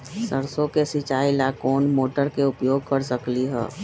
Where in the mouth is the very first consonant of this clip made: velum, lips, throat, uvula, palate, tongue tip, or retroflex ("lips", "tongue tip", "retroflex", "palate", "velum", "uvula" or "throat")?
tongue tip